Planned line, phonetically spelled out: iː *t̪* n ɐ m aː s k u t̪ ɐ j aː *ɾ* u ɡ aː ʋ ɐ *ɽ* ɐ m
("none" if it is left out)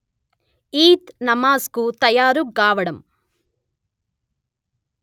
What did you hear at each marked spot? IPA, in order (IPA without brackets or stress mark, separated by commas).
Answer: t̪, ɾ, ɽ